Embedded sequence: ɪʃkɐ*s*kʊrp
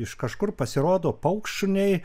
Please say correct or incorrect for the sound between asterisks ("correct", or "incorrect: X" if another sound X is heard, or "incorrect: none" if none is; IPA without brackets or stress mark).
incorrect: ʃ